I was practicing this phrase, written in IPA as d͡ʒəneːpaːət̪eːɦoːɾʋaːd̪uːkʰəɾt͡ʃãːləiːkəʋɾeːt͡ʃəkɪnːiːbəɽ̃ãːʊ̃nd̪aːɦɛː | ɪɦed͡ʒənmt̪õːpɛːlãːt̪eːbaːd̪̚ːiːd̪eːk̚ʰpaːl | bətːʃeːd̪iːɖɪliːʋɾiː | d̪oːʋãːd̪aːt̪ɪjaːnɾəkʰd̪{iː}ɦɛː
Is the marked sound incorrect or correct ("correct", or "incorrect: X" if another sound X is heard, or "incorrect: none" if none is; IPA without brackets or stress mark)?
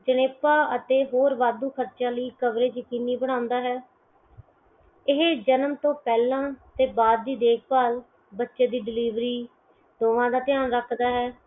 incorrect: aː